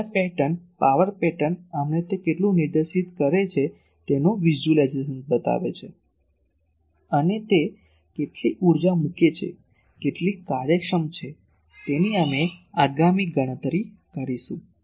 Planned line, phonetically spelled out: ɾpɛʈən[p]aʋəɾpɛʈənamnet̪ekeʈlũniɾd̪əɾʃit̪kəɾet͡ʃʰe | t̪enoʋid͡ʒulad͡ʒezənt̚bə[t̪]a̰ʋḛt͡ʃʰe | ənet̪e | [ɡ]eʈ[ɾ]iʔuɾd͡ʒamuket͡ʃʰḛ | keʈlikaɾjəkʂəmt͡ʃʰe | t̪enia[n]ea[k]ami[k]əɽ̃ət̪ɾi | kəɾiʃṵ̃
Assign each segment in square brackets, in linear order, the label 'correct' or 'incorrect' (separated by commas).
correct, correct, incorrect, incorrect, incorrect, incorrect, incorrect